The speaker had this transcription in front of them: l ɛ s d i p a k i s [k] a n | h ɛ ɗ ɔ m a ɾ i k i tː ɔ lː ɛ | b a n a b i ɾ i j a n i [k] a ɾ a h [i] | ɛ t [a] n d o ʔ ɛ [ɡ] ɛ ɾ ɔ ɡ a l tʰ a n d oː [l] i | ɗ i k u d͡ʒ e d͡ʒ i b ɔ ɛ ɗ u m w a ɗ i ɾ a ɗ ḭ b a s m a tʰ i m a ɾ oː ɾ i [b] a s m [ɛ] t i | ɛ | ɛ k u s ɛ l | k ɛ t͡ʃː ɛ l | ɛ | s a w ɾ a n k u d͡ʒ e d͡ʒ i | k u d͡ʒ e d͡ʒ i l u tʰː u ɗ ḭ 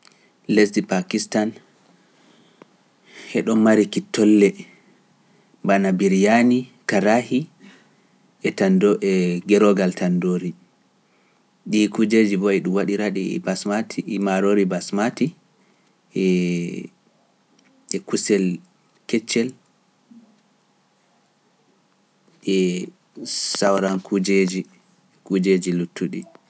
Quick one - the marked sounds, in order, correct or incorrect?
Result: incorrect: t, correct, correct, correct, correct, incorrect: ɾ, correct, incorrect: a

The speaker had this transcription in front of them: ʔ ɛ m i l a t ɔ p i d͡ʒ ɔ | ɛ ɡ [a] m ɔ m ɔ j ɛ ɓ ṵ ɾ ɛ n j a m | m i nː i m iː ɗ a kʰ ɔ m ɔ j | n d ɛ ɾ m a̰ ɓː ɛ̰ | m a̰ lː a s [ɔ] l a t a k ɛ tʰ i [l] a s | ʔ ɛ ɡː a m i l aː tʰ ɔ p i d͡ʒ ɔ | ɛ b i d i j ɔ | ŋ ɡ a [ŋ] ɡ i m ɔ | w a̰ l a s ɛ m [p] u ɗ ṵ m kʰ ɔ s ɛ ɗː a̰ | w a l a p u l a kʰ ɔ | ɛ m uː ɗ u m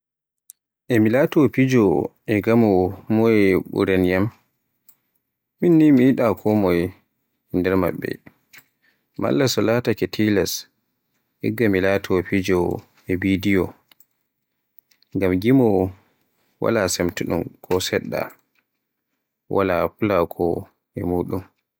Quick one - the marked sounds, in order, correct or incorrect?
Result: correct, correct, correct, incorrect: m, incorrect: t

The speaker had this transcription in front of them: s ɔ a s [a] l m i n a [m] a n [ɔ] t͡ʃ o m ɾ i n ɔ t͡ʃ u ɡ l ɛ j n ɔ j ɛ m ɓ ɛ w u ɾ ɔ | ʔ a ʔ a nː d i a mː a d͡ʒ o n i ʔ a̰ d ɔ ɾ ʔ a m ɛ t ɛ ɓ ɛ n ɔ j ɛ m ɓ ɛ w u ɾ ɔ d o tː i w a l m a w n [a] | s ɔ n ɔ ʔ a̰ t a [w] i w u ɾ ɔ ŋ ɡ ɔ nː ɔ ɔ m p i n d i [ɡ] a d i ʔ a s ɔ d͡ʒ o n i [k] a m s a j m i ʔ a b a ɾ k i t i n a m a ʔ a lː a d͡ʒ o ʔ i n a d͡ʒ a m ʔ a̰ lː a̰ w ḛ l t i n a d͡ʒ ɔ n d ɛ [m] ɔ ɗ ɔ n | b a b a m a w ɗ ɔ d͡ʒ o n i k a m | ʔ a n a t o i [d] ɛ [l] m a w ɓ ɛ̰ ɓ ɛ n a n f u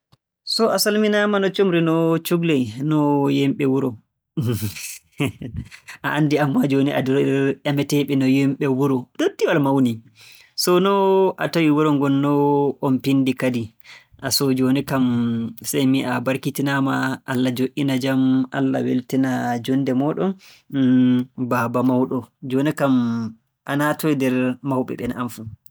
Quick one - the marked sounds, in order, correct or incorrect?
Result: correct, correct, correct, incorrect: i, correct, incorrect: k, correct, correct, correct, incorrect: ɾ

